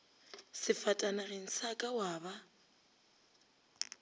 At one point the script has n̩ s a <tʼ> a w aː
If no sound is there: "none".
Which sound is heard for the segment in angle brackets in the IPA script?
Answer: kʼ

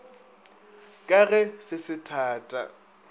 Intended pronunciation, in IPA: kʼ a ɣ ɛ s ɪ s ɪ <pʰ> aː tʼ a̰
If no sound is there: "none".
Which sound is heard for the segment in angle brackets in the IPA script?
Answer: tʰ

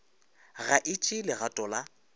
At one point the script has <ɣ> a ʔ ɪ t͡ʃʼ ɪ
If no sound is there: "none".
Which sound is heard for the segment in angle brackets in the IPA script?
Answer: ɣ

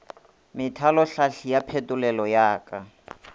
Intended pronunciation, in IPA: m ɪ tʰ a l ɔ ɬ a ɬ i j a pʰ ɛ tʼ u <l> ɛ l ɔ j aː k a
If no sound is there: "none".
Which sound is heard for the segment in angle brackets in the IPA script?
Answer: l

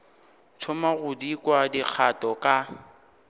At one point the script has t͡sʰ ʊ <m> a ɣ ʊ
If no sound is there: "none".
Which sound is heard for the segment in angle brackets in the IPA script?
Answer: m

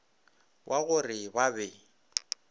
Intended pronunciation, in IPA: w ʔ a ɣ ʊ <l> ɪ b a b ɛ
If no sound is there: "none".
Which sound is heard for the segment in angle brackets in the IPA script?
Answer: r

